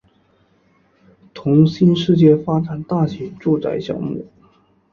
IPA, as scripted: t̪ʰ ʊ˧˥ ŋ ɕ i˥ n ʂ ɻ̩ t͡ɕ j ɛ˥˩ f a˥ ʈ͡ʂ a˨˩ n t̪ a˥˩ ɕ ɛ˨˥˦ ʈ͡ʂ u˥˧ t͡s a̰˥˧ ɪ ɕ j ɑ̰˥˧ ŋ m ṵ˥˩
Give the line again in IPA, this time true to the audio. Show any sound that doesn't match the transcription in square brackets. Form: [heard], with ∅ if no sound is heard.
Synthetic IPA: t̪ʰ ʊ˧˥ ŋ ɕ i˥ n ʂ ɻ̩ t͡ɕ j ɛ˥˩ f a˥ ʈ͡ʂ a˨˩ n t̪ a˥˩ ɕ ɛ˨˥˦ ʈ͡ʂ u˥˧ t͡s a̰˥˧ ɪ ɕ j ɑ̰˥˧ ŋ m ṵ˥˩